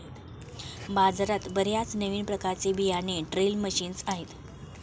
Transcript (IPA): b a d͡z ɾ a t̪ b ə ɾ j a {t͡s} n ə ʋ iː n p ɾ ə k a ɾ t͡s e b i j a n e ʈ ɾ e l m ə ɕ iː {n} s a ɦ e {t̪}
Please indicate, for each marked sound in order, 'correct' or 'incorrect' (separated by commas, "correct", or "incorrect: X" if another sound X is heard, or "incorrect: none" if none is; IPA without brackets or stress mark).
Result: correct, correct, correct